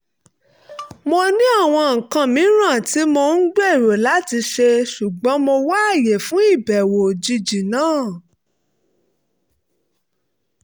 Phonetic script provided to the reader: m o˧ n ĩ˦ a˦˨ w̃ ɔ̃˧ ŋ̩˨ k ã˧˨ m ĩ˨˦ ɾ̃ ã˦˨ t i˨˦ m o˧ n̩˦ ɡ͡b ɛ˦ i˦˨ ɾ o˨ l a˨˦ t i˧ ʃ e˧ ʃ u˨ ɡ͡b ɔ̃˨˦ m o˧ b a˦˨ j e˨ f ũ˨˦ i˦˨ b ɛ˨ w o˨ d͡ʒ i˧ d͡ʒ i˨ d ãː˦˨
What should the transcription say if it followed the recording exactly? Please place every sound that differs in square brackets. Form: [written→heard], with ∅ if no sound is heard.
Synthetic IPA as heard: m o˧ n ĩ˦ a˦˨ w̃ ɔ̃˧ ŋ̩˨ k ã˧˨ m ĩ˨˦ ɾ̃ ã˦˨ t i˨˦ m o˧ n̩˦ ɡ͡b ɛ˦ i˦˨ ɾ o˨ l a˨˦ t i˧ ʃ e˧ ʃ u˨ ɡ͡b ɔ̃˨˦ m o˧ [b→w] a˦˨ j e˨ f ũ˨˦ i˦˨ b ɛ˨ w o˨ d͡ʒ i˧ d͡ʒ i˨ [d→n] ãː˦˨